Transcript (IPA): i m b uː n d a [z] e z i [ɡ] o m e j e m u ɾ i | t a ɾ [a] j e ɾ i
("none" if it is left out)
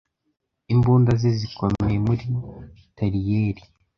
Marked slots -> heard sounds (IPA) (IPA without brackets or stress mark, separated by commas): z, k, i